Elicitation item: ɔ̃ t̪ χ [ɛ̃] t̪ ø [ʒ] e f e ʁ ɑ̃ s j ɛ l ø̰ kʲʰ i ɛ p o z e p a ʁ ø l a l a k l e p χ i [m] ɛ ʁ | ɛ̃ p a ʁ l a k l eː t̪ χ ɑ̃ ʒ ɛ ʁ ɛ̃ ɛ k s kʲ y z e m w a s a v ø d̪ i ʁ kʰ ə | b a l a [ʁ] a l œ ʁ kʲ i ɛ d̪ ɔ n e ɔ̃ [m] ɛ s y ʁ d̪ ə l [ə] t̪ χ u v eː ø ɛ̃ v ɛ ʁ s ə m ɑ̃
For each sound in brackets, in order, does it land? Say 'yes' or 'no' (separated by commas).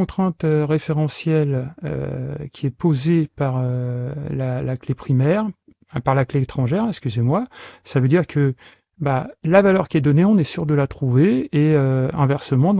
yes, no, yes, no, no, no